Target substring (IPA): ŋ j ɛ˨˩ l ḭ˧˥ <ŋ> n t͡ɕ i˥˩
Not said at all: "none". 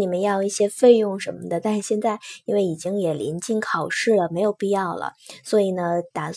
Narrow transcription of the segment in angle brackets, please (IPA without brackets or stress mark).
none